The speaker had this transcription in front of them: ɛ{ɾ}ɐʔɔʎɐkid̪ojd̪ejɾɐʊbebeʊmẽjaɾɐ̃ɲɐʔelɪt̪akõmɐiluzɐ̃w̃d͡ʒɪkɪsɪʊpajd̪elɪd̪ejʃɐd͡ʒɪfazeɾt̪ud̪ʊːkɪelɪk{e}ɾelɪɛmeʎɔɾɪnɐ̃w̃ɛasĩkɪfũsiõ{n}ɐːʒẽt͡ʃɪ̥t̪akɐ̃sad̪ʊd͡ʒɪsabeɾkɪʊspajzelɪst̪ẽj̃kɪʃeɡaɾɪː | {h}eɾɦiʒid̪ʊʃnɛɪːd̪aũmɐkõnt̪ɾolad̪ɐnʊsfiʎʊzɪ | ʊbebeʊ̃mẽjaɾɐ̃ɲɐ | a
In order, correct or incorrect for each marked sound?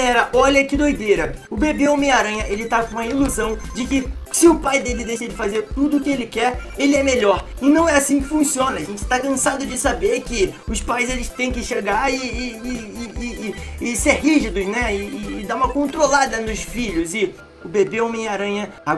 correct, incorrect: ɛ, correct, incorrect: s

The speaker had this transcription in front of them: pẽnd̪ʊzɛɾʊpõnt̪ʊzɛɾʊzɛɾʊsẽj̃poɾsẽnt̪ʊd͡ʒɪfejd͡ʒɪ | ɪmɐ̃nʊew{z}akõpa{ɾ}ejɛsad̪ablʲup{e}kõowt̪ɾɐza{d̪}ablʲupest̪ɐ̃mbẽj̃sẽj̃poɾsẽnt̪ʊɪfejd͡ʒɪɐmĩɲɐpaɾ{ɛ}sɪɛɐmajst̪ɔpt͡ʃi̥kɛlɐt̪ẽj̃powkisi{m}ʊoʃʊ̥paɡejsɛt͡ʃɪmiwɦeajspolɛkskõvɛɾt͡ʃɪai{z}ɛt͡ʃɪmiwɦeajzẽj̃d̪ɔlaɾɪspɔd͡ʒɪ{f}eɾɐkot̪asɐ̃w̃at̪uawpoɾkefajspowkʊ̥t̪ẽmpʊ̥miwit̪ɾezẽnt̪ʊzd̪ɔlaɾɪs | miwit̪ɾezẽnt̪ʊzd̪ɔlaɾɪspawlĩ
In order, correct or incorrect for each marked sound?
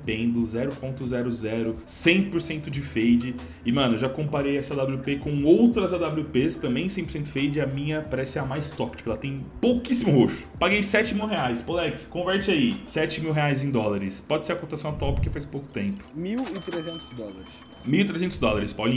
incorrect: ʒ, correct, correct, correct, correct, correct, incorrect: s, incorrect: s

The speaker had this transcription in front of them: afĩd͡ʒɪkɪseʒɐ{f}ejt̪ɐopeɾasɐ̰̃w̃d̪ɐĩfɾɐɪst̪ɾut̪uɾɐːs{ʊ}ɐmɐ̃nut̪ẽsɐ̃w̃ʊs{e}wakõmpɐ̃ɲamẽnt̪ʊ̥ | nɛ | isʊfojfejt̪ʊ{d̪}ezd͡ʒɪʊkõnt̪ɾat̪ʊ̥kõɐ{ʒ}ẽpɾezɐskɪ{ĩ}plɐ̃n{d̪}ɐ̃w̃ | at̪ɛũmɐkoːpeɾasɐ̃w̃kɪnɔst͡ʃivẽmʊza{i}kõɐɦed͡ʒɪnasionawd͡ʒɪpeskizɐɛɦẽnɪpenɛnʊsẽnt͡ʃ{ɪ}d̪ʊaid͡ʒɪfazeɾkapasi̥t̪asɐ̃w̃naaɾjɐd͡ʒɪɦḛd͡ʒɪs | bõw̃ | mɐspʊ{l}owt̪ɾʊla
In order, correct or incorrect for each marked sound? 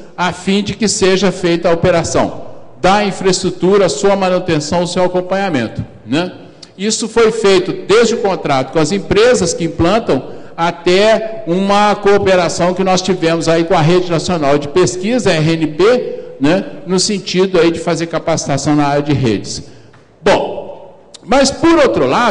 correct, incorrect: u, correct, correct, incorrect: z, correct, incorrect: t̪, correct, incorrect: i, incorrect: ɾ

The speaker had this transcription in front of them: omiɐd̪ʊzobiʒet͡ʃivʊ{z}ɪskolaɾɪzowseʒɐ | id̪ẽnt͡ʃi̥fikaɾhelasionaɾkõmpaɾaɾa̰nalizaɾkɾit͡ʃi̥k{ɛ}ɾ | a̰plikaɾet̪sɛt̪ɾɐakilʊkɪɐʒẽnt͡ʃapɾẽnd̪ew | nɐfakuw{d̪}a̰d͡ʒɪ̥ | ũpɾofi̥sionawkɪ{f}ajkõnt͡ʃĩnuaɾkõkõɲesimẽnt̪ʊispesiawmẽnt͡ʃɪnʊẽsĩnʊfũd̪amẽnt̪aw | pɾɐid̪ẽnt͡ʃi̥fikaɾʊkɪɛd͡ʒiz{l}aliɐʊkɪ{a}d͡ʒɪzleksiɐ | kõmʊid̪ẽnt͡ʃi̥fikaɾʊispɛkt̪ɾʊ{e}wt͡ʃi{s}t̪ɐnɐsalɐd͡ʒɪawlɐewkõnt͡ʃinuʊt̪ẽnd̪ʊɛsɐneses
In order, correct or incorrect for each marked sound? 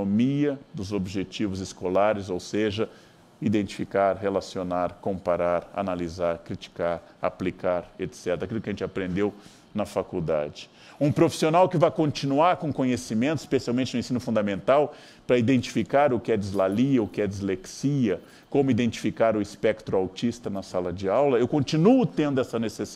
correct, incorrect: a, correct, incorrect: v, correct, incorrect: ɛ, incorrect: a, correct

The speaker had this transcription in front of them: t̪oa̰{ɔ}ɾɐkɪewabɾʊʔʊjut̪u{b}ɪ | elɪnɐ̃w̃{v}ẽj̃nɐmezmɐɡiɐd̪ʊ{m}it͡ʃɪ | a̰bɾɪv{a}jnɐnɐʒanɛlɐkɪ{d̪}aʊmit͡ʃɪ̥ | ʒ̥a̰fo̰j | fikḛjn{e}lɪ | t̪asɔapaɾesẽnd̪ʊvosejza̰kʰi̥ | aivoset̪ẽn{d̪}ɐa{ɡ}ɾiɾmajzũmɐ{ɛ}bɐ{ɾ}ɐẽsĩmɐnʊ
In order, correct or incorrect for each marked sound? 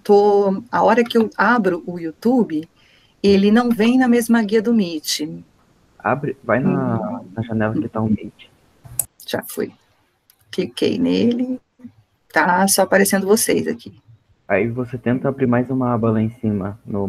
correct, correct, correct, correct, correct, incorrect: t̪, correct, incorrect: t̪, incorrect: b, incorrect: a, incorrect: l

